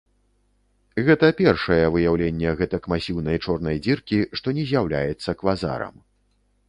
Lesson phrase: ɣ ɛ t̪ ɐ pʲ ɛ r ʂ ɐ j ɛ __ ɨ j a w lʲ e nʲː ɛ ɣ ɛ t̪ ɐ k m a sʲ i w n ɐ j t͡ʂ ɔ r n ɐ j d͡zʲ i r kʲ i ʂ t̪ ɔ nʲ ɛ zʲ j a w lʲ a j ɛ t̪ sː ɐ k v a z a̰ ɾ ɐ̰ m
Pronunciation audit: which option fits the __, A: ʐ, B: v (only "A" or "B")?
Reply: B